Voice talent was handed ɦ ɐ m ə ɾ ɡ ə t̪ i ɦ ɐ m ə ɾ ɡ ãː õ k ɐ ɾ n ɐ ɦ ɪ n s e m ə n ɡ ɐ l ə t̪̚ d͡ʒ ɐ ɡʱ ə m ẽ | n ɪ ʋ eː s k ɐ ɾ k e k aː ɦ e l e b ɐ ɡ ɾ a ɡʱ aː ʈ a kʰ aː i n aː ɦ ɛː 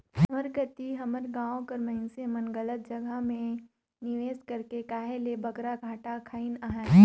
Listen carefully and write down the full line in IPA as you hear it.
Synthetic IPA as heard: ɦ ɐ m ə ɾ ɡ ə t̪ i ɦ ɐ m ə ɾ ɡ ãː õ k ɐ ɾ m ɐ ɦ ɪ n s e m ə n ɡ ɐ l ə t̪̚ d͡ʒ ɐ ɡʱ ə m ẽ | n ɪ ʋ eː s k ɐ ɾ k e k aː ɦ e l e b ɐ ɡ ɾ a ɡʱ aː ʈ a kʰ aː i n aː ɦ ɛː

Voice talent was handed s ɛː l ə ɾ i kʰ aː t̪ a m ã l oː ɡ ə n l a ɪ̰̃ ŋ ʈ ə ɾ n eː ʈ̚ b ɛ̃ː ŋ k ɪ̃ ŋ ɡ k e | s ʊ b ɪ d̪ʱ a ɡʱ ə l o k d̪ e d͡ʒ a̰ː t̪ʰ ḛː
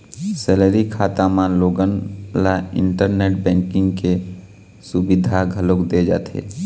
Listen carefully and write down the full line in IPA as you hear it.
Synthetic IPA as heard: s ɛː l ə ɾ i kʰ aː t̪ a m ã l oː ɡ ə n l a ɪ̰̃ ɳ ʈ ə ɾ n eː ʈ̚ b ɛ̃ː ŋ k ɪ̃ ŋ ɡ k e | s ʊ b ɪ d̪ʱ a ɡʱ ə l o k d̪ e d͡ʒ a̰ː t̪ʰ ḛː

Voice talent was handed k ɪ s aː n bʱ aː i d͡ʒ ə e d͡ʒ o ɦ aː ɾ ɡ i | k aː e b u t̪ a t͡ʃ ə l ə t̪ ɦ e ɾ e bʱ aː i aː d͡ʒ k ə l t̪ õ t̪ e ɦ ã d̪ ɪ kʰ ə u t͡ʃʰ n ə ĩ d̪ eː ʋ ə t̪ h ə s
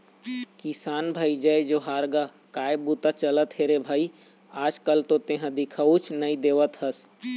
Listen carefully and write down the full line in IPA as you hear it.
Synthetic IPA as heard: k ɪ s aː n bʱ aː i d͡ʒ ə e d͡ʒ o ɦ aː ɾ ɡ a | k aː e b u t̪ a t͡ʃ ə l ə t̪ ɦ e ɾ e bʱ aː i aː d͡ʒ k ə l t̪ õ t̪ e ɦ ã d̪ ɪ kʰ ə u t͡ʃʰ n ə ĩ d̪ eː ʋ ə t̪ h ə s

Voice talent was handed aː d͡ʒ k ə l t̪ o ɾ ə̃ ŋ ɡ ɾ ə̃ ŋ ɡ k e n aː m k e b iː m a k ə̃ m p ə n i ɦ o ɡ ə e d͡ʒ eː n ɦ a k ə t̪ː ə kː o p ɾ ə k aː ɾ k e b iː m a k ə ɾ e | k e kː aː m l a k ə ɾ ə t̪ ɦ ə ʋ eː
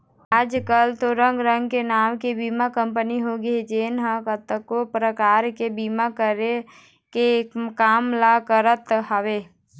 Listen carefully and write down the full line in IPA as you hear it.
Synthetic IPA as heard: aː d͡ʒ k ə l t̪ o ɾ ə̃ ŋ ɡ ɾ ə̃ ŋ ɡ k e n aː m k e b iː m a k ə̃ m p ə n i ɦ o ɡ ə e d͡ʒ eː n ɦ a k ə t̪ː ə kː o p ɾ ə k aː ɾ k e b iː m a k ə ɾ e | k e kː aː m l a k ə ɾ ə t̪ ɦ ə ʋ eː

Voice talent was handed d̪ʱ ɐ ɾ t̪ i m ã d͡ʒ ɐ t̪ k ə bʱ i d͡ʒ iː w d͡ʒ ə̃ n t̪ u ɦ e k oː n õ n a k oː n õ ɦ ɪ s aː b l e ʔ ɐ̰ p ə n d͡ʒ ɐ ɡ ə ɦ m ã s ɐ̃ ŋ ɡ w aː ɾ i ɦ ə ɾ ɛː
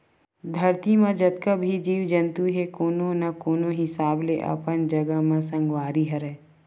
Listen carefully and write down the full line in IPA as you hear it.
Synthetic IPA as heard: d̪ʱ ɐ ɾ t̪ i m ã d͡ʒ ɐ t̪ k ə bʱ i d͡ʒ iː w d͡ʒ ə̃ n t̪ u ɦ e k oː n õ n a k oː n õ ɦ ɪ s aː b l e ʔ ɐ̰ p ə n d͡ʒ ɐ ɡ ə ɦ m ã s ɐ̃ ŋ ɡ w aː ɾ i ɦ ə ɾ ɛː

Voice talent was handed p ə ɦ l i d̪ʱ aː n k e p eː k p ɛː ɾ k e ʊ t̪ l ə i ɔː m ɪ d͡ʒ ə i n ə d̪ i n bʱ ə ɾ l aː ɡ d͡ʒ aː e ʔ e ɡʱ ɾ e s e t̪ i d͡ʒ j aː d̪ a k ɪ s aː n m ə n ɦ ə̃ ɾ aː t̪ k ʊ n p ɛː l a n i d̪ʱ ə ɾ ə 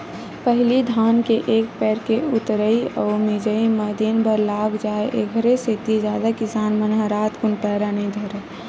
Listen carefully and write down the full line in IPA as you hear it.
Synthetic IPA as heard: p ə ɦ l i d̪ʱ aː n k e ʔ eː k p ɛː ɾ k e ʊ t̪ ɾ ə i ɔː m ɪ d͡ʒ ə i m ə d̪ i n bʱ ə ɾ l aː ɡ d͡ʒ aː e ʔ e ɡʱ ɾ e s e t̪ i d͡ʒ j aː d̪ a k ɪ s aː n m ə n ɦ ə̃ ɾ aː t̪ k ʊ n p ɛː ɾ a n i d̪ʱ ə ɾ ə

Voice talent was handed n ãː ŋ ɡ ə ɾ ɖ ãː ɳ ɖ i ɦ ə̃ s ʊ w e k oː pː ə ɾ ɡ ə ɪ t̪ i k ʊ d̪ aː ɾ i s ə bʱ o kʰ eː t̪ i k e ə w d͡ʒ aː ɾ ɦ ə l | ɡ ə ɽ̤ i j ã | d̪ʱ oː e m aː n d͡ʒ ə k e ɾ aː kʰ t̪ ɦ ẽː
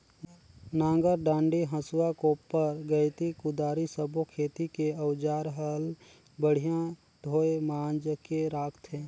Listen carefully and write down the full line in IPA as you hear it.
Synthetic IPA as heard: n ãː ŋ ɡ ə ɾ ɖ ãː ɳ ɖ i ɦ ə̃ s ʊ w a k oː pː ə ɾ ɡ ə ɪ t̪ i k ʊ d̪ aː ɾ i s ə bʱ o kʰ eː t̪ i k e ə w d͡ʒ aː ɾ ɦ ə l | b ə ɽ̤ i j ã | d̪ʱ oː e m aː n d͡ʒ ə k e ɾ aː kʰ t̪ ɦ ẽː

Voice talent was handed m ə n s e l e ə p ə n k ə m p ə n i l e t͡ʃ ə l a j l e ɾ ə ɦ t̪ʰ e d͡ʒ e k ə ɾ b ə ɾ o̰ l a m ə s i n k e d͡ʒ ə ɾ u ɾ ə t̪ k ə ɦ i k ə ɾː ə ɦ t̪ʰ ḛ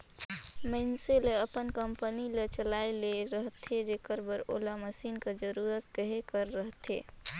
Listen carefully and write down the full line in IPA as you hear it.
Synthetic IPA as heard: m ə n s e l e ə p ə n k ə m p ə n i l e t͡ʃ ə l a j l e ɾ ə ɦ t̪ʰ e d͡ʒ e k ə ɾ b ə ɾ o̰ l a m ə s i n k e d͡ʒ ə ɾ u ɾ ə t̪ k ə ɦ e k ə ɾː ə ɦ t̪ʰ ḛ

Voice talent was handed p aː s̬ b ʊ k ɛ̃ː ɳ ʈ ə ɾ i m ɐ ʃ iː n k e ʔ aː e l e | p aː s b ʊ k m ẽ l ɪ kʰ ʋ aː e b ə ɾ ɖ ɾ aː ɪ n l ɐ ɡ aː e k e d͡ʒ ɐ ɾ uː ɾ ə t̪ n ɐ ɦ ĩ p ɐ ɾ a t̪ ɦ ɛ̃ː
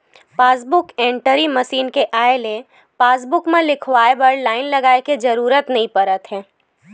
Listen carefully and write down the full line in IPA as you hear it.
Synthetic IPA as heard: p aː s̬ b ʊ k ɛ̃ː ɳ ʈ ə ɾ i m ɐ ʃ iː n k e ʔ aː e l e | p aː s b ʊ k m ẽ l ɪ kʰ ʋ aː e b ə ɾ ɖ l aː ɪ n l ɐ ɡ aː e k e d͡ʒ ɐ ɾ uː ɾ ə t̪ n ɐ ɦ ĩ p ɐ ɾ ə t̪ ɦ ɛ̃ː

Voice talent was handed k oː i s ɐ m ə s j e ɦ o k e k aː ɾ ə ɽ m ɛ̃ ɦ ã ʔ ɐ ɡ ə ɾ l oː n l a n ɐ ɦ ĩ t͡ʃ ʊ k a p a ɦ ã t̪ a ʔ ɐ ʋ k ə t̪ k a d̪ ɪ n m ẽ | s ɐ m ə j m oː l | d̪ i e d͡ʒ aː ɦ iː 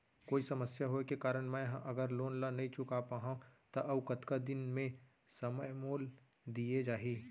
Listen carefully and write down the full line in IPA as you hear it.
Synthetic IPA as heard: k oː i s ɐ m ə s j a ɦ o k e k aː ɾ ə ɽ m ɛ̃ ɦ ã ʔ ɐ ɡ ə ɾ l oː n l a n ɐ ɦ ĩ t͡ʃ ʊ k a p a ɦ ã t̪ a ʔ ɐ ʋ k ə t̪ k a d̪ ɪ n m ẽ | s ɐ m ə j m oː l | d̪ i e d͡ʒ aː ɦ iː

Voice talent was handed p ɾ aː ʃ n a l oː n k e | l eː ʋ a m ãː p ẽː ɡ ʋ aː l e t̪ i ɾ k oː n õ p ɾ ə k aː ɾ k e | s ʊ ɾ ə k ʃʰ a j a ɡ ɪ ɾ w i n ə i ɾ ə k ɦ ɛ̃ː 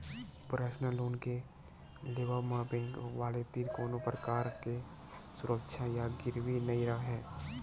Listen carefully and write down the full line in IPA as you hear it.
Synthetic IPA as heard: p ɾ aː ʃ n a l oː n k e | l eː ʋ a m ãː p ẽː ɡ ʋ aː l e t̪ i ɾ k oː n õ p ɾ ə k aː ɾ k e | s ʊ ɾ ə k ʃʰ a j a ɡ ɪ ɾ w i n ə i ɾ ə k ɦ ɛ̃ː

